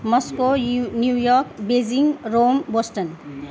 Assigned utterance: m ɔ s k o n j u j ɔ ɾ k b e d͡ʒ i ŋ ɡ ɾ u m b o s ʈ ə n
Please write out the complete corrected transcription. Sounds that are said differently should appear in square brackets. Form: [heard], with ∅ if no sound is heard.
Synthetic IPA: m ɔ s k o n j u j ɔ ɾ k b e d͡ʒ i ŋ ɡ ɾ [o] m b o s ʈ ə n